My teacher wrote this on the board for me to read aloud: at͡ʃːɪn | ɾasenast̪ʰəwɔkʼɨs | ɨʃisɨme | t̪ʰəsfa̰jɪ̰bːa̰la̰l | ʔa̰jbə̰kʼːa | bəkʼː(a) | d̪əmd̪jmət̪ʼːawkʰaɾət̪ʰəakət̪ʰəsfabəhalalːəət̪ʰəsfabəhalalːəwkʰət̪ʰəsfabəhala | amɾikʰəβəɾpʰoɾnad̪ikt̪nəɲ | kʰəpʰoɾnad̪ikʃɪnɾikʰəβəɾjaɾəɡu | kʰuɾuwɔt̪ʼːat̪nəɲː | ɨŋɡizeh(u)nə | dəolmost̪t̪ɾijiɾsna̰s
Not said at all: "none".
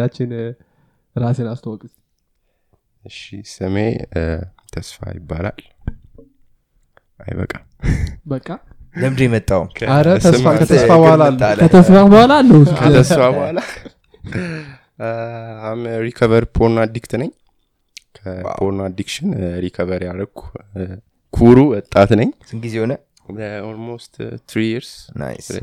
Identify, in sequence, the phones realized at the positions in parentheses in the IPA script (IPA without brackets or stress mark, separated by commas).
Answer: a, o